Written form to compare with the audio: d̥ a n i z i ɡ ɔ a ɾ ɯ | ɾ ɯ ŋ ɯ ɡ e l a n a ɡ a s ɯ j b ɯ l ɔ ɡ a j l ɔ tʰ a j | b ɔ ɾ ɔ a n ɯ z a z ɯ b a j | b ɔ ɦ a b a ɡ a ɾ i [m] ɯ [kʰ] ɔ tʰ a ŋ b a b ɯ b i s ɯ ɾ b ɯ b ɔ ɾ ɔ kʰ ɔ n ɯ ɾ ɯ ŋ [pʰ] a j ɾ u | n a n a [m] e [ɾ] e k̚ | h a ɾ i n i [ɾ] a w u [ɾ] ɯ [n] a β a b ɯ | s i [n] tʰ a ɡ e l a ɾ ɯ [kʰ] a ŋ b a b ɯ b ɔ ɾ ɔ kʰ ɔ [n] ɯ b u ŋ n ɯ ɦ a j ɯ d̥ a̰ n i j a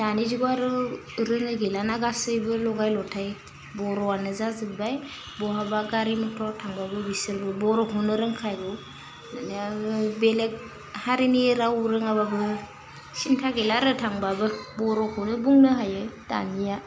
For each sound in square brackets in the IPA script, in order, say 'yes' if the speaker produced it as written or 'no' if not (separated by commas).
yes, no, no, no, no, yes, yes, no, yes, no, yes